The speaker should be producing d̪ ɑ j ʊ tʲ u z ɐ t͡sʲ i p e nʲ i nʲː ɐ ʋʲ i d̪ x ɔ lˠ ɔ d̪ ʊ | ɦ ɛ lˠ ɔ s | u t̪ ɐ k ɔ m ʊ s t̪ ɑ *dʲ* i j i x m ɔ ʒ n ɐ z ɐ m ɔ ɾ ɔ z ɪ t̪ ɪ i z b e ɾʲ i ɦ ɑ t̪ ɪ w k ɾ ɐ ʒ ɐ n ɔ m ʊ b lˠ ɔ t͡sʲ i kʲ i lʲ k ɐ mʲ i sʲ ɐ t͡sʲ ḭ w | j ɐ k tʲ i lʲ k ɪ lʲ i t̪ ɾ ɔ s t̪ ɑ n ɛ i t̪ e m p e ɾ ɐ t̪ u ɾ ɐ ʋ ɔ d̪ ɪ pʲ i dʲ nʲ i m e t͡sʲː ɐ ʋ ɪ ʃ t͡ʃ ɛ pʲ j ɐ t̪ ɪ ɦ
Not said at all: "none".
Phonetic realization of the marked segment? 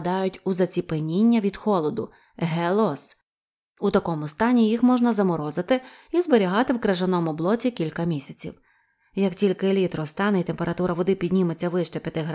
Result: nʲ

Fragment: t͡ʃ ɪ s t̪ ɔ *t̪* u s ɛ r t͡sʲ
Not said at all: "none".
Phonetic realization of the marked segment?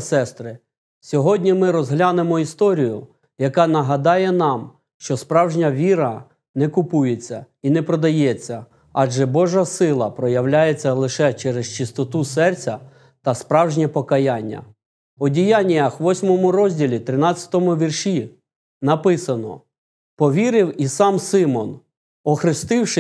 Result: t̪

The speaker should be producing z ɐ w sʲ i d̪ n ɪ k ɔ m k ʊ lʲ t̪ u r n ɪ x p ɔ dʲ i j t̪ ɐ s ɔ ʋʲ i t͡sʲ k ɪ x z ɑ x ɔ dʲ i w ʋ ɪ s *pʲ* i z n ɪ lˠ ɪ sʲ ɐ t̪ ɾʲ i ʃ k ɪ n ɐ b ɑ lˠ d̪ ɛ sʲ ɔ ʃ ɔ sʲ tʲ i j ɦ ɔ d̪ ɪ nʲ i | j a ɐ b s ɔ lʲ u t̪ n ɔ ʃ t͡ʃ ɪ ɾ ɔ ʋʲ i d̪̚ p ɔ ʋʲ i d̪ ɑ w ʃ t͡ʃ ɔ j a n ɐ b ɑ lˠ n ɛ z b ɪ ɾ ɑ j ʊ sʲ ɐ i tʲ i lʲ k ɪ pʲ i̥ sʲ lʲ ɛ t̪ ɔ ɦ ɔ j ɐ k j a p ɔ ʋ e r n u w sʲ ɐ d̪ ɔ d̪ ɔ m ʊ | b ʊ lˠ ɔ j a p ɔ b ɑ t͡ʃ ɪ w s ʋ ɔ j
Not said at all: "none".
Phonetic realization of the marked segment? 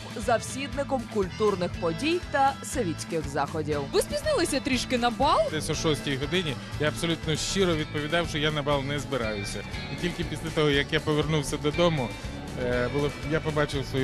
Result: pʲ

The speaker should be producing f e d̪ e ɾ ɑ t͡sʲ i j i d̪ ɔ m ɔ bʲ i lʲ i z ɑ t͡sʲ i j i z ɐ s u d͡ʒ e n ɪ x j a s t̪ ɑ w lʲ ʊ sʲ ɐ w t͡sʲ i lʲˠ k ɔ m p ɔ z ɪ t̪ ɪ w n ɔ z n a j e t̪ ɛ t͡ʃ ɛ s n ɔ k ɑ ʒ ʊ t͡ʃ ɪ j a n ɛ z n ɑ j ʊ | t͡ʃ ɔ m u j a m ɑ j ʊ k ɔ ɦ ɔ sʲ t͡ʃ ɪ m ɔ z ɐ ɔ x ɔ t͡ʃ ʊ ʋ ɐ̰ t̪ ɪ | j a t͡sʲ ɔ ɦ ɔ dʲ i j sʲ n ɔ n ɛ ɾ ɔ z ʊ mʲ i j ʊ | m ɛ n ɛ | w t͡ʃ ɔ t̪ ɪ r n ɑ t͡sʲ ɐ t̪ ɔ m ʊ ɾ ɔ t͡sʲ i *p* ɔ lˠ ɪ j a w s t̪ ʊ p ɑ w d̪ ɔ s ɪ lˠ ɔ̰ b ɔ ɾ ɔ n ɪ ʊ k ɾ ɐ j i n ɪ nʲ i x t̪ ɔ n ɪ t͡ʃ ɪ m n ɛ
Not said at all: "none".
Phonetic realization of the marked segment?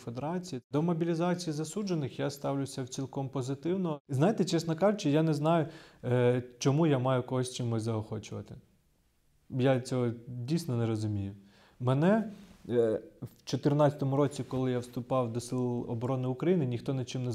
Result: k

